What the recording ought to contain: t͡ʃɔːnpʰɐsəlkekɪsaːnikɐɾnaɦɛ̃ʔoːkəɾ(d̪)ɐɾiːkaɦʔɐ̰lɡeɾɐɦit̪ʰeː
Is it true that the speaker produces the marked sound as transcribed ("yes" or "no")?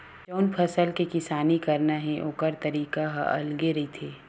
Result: no